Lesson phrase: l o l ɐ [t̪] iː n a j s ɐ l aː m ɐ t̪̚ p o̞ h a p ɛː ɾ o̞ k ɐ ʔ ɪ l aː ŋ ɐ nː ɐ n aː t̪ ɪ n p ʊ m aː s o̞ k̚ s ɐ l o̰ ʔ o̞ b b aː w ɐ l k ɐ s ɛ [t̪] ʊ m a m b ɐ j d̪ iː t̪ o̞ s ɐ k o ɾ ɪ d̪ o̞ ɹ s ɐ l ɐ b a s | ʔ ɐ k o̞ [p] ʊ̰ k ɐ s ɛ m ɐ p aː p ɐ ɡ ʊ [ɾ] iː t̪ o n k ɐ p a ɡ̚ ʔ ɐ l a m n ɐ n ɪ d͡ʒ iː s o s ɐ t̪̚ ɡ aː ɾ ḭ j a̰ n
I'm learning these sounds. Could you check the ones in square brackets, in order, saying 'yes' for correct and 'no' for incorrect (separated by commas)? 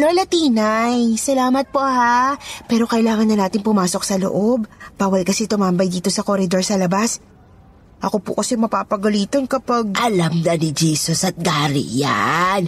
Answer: yes, yes, yes, no